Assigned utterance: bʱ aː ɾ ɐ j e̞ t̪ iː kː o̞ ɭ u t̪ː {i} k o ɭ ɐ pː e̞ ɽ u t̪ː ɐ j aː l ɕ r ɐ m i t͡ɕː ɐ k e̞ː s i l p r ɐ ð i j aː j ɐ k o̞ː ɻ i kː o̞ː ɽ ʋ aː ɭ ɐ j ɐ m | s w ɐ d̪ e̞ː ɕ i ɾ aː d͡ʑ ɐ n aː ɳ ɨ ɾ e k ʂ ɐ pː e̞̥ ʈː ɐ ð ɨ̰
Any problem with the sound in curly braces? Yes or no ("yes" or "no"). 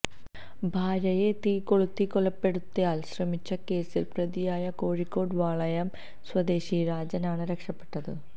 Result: no